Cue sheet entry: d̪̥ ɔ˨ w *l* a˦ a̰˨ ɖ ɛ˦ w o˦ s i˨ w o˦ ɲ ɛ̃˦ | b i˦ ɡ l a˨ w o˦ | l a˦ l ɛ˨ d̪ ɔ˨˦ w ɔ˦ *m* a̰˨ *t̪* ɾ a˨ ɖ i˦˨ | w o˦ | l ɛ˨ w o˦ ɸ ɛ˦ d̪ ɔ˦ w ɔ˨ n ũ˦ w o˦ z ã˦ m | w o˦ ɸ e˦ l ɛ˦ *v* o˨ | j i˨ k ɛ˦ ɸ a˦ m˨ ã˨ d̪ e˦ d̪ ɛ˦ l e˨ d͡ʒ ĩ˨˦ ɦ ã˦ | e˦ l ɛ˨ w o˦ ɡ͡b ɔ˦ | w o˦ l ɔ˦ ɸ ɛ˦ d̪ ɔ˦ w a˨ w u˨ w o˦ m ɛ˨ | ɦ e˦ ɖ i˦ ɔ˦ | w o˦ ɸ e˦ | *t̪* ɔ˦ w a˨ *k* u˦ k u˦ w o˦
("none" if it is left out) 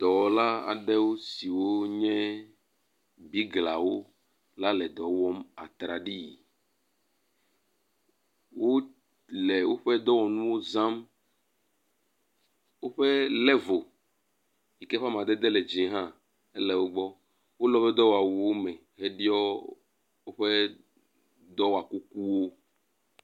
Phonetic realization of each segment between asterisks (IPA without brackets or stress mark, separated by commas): l, m, t̪, v, d̪, k